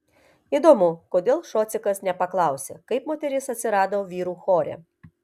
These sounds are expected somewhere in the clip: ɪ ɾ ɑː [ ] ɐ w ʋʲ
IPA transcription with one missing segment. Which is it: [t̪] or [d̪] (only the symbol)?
d̪